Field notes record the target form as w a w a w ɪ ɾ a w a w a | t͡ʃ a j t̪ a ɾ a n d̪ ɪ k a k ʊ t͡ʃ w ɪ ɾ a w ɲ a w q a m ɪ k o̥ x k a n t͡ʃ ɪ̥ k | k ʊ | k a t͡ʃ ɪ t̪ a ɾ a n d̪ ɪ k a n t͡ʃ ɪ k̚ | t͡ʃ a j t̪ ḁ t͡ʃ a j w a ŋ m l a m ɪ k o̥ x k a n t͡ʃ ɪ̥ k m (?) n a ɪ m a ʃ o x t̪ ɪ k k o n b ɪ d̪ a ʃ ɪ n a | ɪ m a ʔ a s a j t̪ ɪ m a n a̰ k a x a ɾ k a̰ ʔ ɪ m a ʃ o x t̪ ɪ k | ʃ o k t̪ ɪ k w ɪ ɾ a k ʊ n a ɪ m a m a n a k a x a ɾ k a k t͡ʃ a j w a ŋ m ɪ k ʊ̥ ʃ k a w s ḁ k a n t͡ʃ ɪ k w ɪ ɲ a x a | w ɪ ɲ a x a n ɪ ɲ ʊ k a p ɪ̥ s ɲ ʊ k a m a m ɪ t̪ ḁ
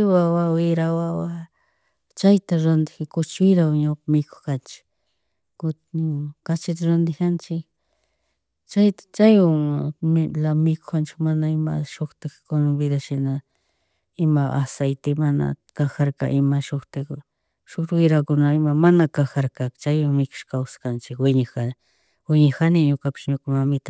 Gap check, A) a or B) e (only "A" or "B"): A